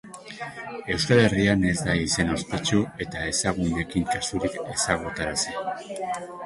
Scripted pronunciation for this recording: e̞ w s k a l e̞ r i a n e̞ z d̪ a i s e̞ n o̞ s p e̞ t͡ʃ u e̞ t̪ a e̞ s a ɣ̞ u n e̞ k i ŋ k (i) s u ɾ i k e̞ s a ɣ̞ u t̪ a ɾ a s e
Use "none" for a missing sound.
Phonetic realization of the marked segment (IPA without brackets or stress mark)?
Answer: a